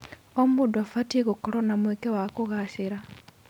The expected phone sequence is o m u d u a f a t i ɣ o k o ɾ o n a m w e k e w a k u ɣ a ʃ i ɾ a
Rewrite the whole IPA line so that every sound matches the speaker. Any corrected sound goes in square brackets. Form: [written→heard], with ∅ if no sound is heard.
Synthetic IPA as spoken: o m u d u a f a t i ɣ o k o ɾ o n a m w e k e w a k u ɣ a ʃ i ɾ a

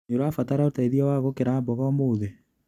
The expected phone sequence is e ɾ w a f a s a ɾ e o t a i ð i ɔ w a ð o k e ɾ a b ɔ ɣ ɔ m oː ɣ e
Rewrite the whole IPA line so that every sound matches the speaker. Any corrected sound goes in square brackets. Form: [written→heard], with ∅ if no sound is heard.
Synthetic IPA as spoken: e ɾ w a f a [s→t] a ɾ [e→a] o t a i ð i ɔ w a [ð→ɣ] o k e ɾ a b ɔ ɣ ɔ m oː [ɣ→ð] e

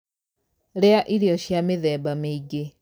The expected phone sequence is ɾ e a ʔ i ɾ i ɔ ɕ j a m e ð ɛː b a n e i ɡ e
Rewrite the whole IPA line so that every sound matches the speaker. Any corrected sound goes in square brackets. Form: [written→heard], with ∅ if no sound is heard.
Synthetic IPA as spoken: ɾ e a ʔ i ɾ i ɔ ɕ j a m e ð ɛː b a [n→m] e i ɡ e

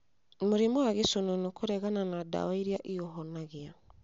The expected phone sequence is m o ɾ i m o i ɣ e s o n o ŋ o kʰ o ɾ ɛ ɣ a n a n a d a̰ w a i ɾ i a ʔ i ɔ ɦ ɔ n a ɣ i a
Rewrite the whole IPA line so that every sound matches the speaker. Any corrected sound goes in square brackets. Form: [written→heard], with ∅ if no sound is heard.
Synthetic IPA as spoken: m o ɾ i m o [i→a] ɣ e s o n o [ŋ→n] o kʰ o ɾ ɛ ɣ a n a n a d a̰ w a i ɾ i a ʔ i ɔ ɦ ɔ n a ɣ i a

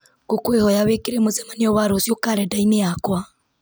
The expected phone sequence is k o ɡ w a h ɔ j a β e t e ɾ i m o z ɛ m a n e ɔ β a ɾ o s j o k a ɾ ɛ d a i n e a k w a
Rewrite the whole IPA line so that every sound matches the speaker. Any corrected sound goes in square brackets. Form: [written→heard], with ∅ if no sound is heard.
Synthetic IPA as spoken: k o [ɡ→k] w [a→e] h ɔ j a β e [t→k] e ɾ [i→e] m o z ɛ m a n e ɔ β a ɾ o s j o k a ɾ ɛ d a i n e a k w a

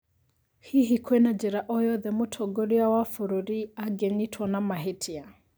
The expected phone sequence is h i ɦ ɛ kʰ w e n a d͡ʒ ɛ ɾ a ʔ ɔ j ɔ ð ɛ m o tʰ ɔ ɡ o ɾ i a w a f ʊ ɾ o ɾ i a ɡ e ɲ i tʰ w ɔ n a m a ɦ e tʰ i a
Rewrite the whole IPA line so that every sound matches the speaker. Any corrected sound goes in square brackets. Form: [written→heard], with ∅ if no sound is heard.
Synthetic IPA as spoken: h i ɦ [ɛ→i] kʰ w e n a d͡ʒ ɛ ɾ a ʔ ɔ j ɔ ð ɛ m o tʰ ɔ ɡ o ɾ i a w a f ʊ ɾ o ɾ i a ɡ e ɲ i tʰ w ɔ n a m a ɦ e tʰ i a

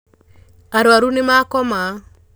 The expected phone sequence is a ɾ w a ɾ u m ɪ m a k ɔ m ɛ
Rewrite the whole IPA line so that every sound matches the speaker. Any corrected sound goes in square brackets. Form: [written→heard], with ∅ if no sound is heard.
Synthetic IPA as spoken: a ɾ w a ɾ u [m→n] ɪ m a k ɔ m [ɛ→a]

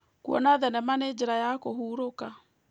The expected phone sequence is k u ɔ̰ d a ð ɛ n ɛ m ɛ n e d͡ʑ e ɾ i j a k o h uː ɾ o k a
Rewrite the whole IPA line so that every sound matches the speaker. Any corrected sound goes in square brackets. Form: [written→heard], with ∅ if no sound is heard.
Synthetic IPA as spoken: k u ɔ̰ [d→n] a ð ɛ n ɛ m [ɛ→a] n e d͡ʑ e ɾ [i→a] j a k o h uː ɾ o k a

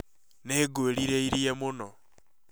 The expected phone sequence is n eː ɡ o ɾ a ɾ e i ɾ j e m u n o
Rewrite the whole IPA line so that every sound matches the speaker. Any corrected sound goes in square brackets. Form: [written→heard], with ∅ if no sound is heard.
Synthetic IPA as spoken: n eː ɡ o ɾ [a→i] ɾ e i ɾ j e m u n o

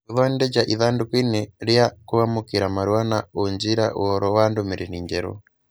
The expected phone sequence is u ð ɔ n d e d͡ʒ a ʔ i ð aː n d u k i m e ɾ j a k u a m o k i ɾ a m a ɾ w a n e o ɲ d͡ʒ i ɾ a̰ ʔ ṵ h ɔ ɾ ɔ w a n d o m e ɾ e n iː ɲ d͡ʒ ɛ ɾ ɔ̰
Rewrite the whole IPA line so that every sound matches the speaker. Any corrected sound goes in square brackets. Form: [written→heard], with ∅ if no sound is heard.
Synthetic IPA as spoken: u ð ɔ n d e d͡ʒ a ʔ i ð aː n d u k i [m→n] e ɾ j a k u a m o k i ɾ a m a ɾ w a n [e→a] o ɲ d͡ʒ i ɾ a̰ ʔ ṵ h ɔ ɾ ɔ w a n d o m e ɾ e n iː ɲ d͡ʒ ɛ ɾ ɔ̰

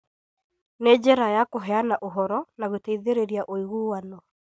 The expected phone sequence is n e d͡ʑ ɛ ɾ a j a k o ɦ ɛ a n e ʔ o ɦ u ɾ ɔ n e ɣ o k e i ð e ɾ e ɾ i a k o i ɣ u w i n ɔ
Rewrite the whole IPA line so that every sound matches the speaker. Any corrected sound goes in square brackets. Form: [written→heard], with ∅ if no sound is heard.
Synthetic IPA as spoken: n e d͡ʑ ɛ ɾ a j a k o ɦ ɛ a n [e→a] ʔ o ɦ [u→ɔ] ɾ ɔ n [e→a] ɣ o [k→t] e i ð e ɾ e ɾ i a [k→ʔ] o i ɣ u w [i→a] n ɔ

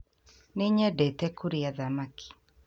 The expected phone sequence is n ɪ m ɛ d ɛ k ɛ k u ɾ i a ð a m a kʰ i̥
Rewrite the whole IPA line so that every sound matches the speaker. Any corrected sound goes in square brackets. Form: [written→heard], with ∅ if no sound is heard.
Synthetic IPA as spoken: n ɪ [m→ɲ] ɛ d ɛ [k→t] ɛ k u ɾ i a ð a m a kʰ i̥

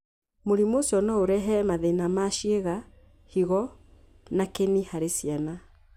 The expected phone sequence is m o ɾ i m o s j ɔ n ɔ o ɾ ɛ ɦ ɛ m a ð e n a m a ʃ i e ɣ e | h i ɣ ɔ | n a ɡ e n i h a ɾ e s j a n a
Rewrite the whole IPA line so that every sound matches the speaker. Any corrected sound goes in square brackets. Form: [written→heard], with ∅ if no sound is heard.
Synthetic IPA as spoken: m o ɾ i m o s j ɔ n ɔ o ɾ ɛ ɦ ɛ m a ð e n a m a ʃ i e ɣ [e→a] | h i ɣ ɔ | n a [ɡ→k] e n i h a ɾ e s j a n a

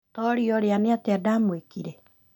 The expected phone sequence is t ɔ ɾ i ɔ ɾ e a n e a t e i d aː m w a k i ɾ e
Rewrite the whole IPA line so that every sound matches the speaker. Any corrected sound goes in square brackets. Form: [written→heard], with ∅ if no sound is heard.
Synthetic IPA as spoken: t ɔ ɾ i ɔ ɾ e a n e a t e [i→a] d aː m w [a→e] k i ɾ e

